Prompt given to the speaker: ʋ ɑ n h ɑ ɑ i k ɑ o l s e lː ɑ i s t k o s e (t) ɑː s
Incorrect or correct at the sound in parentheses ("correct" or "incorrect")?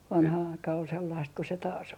correct